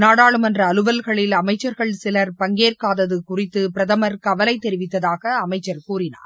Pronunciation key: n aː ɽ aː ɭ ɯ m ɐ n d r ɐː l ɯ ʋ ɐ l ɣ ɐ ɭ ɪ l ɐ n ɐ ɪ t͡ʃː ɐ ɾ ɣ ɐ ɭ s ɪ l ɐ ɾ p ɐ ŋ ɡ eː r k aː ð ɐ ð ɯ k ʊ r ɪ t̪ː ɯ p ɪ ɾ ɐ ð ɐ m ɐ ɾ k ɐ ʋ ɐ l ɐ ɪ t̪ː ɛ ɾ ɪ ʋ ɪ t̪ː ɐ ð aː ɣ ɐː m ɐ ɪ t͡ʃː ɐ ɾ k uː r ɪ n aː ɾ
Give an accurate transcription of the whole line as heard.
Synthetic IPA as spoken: n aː ɽ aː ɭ ɯ m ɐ n d r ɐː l ɯ ʋ ɐ l ɣ ɐ ɭ ɪ l ɐ m ɐ ɪ t͡ʃː ɐ ɾ ɣ ɐ ɭ s ɪ l ɐ ɾ p ɐ ŋ ɡ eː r k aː ð ɐ ð ɯ k ʊ r ɪ t̪ː ɯ p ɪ ɾ ɐ ð ɐ m ɐ ɾ k ɐ ʋ ɐ l ɐ ɪ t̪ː ɛ ɾ ɪ ʋ ɪ t̪ː ɐ ð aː ɣ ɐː m ɐ ɪ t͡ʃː ɐ ɾ k uː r ɪ n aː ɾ